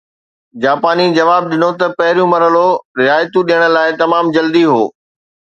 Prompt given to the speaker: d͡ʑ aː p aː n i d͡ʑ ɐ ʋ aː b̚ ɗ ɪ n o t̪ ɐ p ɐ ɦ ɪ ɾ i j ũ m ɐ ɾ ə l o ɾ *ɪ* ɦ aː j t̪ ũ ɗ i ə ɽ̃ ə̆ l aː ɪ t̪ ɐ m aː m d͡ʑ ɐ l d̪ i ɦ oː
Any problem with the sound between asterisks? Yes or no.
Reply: no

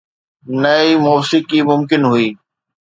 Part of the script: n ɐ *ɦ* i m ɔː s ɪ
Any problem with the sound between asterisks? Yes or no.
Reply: yes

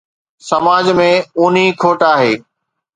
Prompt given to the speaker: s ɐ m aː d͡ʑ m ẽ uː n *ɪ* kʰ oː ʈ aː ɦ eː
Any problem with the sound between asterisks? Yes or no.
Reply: yes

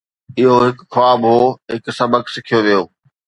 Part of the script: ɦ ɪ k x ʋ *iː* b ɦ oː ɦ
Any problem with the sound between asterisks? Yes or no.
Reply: yes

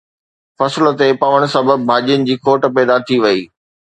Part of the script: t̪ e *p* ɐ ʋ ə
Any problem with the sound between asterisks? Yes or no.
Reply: no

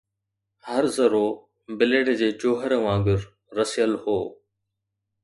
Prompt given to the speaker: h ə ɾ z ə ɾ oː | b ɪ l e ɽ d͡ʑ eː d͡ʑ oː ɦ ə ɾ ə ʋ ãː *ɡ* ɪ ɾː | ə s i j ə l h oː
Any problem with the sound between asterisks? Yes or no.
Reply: no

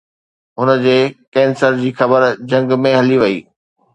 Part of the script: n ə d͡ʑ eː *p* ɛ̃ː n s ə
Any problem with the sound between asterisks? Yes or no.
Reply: yes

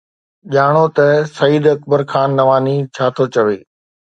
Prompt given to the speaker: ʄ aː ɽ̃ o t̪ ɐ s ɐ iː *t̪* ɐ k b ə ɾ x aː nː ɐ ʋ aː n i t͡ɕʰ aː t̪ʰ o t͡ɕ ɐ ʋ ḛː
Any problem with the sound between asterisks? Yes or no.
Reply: yes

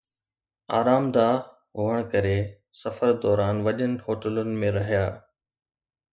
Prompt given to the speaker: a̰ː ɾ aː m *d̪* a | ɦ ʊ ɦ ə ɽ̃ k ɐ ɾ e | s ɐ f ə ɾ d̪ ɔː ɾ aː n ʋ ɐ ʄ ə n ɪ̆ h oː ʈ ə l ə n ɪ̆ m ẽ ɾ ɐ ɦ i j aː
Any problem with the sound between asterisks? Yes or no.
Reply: no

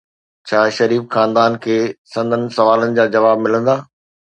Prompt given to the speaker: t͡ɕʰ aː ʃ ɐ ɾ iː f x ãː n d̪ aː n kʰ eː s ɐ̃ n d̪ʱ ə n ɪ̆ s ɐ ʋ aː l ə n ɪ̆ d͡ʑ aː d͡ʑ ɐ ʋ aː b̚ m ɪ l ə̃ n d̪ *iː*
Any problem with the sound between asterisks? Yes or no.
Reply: yes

